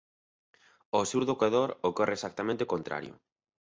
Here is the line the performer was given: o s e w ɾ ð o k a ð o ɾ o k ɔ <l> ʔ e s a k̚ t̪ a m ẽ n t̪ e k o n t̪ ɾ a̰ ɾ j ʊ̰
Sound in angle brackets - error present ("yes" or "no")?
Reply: yes